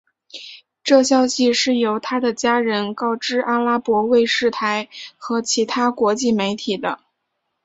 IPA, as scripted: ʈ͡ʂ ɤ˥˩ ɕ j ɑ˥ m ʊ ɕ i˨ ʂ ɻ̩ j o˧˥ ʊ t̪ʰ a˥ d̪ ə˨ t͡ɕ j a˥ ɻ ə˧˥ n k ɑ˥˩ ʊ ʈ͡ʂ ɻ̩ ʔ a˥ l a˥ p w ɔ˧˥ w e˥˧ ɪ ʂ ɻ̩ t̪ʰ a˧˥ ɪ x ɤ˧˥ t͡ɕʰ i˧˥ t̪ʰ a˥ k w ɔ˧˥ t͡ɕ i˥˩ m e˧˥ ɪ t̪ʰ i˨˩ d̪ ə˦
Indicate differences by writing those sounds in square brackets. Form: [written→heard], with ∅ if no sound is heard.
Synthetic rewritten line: ʈ͡ʂ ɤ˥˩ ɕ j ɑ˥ [m→∅] ʊ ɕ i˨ ʂ ɻ̩ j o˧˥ ʊ t̪ʰ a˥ d̪ ə˨ t͡ɕ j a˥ ɻ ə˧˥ n k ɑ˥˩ ʊ ʈ͡ʂ ɻ̩ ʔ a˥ l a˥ p w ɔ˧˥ w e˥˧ ɪ ʂ ɻ̩ t̪ʰ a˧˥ ɪ x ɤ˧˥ t͡ɕʰ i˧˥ t̪ʰ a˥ k w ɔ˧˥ t͡ɕ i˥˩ m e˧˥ ɪ t̪ʰ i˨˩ d̪ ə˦